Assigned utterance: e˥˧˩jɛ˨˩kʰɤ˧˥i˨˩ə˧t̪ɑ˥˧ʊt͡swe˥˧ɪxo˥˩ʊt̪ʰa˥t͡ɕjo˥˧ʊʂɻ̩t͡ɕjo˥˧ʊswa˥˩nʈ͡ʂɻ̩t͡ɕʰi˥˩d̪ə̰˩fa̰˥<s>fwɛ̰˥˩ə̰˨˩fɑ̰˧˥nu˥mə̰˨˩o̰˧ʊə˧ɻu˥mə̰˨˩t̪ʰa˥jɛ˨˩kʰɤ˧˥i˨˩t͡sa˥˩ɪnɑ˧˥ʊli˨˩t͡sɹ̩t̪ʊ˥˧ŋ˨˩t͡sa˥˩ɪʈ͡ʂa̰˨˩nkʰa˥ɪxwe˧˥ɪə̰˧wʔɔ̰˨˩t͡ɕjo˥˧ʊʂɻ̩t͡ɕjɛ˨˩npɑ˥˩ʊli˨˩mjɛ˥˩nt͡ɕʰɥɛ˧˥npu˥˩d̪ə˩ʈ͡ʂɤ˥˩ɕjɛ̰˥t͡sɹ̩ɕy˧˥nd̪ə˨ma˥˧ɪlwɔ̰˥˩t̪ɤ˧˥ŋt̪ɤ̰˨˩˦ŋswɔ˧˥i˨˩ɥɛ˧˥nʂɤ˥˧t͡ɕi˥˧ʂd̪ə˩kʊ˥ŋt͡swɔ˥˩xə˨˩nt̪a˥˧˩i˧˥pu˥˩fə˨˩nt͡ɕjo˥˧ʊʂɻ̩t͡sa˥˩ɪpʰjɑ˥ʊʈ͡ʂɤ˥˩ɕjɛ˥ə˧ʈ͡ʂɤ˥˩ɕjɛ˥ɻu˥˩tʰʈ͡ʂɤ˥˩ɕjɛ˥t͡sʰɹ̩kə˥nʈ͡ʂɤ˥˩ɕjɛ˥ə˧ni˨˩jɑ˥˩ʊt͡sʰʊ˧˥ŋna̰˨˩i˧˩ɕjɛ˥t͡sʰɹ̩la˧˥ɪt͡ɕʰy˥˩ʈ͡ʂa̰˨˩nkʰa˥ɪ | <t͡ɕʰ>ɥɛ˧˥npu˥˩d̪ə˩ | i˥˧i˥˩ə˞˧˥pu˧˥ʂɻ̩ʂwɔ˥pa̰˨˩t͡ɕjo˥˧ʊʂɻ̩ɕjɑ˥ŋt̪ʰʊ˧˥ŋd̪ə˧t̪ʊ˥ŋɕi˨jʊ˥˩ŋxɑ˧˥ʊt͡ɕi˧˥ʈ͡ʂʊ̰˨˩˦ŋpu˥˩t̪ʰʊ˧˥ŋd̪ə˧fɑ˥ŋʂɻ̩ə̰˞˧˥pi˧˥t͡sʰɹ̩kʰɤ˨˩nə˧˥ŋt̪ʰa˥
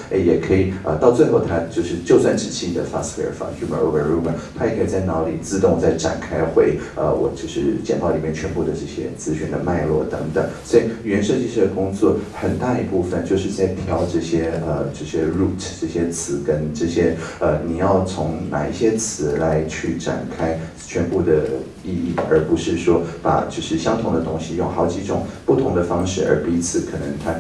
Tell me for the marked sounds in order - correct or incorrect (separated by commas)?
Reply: correct, correct